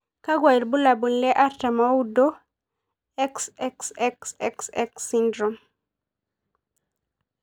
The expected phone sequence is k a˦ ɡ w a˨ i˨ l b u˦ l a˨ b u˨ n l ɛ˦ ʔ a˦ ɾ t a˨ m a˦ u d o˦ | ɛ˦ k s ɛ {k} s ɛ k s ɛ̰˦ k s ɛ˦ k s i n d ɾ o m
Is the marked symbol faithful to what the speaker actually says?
yes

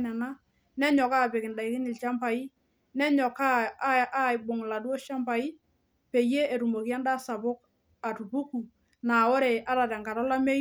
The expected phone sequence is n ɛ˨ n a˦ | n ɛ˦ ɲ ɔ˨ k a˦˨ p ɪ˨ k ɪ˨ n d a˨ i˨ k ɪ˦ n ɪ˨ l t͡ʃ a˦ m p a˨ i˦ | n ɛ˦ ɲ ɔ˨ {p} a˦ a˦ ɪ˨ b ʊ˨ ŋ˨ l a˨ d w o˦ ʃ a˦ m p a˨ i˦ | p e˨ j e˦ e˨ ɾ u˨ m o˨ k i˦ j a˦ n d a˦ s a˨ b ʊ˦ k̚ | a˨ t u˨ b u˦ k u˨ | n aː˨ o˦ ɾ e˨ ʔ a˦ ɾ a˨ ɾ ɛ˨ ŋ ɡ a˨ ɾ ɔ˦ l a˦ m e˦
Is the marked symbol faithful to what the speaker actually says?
no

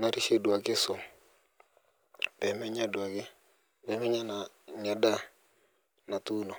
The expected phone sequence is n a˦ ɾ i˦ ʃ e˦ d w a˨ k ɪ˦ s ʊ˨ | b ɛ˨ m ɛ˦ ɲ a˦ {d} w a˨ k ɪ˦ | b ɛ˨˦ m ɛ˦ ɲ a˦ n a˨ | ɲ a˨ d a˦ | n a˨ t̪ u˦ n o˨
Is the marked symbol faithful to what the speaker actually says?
yes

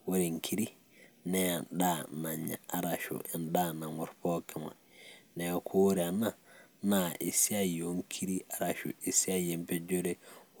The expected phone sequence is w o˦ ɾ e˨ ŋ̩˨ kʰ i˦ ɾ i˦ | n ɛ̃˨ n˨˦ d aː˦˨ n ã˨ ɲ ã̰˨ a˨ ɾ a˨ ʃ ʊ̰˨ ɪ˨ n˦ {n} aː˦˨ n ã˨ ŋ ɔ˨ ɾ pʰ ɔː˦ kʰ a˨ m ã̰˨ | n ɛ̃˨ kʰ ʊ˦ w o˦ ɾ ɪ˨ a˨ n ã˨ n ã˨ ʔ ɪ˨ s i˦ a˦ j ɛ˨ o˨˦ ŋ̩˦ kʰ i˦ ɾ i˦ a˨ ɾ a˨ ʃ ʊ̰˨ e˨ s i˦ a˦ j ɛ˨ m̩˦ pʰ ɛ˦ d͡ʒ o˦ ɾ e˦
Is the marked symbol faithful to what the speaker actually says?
no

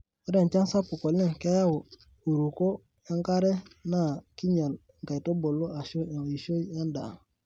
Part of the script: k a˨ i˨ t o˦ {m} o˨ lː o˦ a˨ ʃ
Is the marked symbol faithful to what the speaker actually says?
no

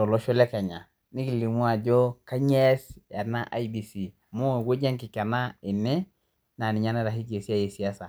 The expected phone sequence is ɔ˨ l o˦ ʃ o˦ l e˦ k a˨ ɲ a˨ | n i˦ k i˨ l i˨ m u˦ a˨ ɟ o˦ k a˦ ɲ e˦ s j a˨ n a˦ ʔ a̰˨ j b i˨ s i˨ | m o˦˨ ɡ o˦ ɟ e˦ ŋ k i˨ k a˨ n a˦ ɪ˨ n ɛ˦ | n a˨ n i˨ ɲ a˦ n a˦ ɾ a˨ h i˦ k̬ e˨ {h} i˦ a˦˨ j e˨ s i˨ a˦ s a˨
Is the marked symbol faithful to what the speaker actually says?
no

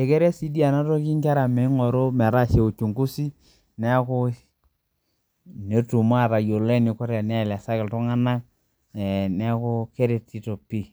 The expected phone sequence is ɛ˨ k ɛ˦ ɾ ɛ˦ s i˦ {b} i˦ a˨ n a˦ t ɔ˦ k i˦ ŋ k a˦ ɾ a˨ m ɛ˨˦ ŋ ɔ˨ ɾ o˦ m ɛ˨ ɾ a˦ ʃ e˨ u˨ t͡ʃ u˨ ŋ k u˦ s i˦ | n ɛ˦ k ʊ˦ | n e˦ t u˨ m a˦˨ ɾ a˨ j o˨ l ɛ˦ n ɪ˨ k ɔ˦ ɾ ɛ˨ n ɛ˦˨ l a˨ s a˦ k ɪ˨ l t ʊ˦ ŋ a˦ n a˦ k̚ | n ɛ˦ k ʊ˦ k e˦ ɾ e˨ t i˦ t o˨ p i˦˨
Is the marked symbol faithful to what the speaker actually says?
no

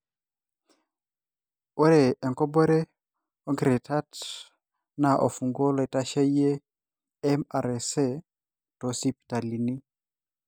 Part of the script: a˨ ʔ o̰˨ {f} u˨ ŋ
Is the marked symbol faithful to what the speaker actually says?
yes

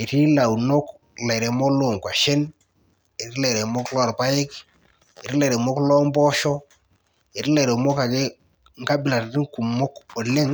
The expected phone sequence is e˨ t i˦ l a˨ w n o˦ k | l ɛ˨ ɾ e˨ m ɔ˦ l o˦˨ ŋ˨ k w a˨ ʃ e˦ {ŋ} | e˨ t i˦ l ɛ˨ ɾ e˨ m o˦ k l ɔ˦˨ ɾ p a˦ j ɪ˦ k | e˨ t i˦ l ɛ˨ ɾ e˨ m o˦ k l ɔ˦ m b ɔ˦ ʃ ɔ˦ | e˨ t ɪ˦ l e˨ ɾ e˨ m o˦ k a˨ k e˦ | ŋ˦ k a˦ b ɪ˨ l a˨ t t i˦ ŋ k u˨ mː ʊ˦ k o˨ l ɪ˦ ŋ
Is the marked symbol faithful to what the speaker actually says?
no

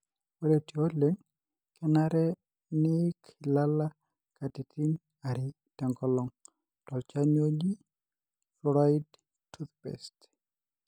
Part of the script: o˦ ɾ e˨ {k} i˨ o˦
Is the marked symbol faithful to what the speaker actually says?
no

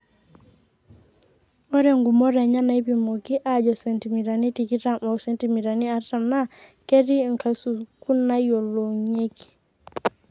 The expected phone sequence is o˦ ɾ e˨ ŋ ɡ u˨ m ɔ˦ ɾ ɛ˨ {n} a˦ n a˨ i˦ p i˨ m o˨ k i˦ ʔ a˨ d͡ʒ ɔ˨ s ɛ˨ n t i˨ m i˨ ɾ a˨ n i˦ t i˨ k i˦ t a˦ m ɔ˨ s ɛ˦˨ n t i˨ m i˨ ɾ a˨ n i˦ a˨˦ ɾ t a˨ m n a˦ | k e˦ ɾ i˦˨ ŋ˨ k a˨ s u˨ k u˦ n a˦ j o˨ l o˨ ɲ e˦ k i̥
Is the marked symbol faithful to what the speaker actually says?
no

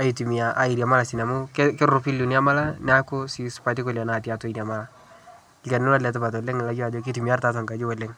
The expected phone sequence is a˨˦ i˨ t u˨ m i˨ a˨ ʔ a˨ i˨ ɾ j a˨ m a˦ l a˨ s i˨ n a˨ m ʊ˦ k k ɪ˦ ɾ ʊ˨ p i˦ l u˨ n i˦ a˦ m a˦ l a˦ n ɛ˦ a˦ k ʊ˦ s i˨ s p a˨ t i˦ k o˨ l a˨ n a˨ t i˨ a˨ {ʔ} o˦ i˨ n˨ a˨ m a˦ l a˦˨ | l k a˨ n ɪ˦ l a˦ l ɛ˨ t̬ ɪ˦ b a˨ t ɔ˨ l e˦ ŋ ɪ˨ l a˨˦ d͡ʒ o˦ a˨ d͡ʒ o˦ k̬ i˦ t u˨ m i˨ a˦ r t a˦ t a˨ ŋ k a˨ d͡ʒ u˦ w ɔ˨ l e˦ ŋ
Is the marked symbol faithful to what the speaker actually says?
no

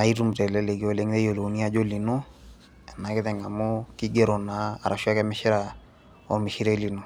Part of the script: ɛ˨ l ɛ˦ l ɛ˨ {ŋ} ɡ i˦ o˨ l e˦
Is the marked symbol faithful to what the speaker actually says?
no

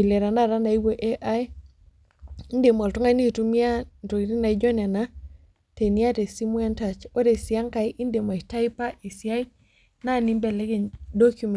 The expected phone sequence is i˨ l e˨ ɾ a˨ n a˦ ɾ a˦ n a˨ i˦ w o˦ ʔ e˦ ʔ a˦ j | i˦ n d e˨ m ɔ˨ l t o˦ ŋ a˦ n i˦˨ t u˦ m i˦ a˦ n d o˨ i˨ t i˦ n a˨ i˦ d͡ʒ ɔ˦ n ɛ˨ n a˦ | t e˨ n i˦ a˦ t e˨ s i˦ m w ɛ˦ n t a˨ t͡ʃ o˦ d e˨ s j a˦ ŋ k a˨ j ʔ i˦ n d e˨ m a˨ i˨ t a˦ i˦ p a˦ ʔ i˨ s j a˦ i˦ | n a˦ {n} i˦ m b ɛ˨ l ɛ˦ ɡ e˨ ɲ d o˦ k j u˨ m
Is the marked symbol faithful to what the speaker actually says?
yes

